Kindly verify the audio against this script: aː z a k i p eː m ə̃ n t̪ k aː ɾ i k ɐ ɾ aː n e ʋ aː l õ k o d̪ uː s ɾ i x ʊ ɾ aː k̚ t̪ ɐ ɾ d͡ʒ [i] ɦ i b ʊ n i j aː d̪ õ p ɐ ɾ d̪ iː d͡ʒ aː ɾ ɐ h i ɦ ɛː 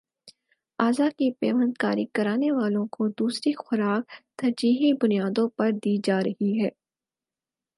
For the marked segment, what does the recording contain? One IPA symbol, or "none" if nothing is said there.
iː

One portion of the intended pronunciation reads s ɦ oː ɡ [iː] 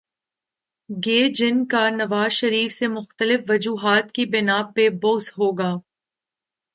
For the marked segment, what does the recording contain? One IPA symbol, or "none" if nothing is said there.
aː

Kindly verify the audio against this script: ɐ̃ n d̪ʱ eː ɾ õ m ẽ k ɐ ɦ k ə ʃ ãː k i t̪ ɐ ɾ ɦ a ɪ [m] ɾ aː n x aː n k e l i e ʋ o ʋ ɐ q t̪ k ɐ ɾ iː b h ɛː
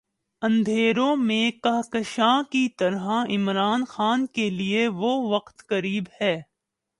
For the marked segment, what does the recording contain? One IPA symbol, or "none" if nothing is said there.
m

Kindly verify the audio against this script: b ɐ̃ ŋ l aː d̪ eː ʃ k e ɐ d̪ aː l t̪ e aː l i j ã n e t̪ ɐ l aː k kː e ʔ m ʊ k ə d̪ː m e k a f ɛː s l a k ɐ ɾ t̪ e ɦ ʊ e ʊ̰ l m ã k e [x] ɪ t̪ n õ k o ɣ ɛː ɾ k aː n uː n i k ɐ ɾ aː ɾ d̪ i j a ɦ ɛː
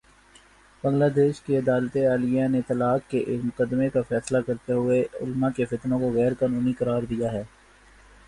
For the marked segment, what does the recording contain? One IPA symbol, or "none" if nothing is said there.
f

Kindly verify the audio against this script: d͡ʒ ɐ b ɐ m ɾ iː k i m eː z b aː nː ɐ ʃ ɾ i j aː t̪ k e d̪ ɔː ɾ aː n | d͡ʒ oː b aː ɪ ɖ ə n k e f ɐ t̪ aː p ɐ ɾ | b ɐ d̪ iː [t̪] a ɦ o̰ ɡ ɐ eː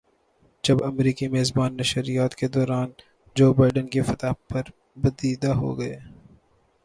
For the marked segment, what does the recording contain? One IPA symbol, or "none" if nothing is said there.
d̪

